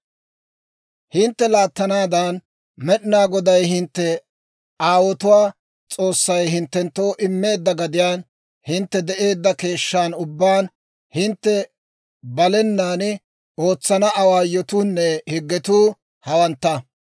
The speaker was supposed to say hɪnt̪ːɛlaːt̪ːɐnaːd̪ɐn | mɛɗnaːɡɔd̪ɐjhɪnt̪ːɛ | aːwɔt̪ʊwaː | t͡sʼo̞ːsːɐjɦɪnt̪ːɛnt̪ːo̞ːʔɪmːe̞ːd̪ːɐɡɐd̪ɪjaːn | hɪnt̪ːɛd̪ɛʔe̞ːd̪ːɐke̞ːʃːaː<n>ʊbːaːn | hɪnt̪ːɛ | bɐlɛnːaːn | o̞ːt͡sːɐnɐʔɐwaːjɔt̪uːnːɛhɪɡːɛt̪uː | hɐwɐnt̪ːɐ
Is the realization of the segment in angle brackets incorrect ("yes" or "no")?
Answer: no